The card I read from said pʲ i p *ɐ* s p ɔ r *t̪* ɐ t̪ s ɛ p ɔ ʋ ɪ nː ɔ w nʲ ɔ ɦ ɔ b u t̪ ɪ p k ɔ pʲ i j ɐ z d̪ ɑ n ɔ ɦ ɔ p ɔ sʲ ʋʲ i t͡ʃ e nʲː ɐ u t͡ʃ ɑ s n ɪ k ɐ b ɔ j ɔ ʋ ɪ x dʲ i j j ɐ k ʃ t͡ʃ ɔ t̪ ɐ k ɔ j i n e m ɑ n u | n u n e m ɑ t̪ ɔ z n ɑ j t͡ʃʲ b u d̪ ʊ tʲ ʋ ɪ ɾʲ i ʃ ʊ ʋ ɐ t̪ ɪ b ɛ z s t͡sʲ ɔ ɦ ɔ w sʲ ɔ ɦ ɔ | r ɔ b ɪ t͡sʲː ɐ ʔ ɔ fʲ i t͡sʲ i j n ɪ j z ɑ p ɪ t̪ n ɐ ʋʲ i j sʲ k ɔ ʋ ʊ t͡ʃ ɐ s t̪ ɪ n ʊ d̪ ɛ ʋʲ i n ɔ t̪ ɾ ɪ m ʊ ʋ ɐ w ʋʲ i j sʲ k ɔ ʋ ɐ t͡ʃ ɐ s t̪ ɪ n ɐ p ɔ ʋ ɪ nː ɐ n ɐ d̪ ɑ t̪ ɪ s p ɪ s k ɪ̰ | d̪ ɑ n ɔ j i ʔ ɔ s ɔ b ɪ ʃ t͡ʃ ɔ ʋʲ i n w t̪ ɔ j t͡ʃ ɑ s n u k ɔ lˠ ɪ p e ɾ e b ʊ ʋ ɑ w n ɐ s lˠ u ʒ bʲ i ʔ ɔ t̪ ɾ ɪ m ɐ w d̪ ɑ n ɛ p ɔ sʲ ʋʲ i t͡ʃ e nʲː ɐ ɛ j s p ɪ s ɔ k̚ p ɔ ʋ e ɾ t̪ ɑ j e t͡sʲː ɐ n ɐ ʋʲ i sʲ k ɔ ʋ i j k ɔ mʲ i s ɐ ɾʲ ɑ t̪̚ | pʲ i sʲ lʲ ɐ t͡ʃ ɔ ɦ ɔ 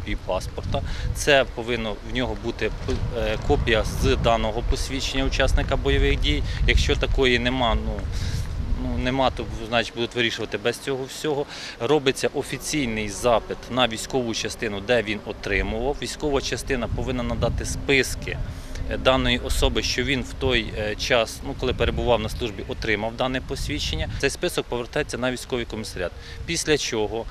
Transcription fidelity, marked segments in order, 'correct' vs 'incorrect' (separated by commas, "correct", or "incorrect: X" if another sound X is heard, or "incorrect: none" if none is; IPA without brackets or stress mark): incorrect: ɑ, correct